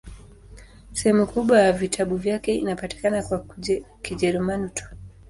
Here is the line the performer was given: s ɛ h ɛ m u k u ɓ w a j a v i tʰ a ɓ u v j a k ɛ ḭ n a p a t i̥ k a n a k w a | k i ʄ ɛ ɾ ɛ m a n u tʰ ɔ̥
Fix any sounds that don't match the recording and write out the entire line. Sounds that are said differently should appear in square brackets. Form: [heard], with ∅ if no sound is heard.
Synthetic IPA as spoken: s ɛ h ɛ m u k u ɓ w a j a v i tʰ a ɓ u v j a k ɛ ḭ n a p a t i̥ k a n a k w a | k i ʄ ɛ ɾ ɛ m a n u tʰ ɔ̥